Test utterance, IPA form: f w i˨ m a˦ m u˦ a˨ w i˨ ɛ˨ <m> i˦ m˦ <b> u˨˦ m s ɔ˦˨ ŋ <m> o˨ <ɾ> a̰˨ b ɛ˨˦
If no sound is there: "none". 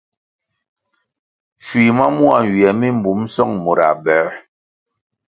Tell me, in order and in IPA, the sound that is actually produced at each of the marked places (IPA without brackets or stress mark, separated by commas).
m, b, m, ɾ